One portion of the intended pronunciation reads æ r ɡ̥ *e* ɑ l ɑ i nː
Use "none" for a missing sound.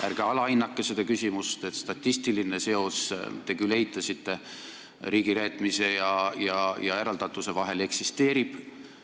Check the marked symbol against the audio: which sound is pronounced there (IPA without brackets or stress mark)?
e